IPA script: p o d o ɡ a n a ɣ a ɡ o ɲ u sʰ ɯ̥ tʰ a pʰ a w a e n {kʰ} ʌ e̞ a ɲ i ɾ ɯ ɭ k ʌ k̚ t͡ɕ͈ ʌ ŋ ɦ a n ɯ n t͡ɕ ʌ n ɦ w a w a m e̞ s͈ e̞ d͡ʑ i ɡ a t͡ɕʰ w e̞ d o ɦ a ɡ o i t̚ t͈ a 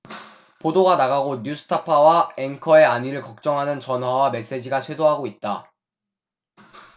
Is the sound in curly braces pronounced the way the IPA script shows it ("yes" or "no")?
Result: yes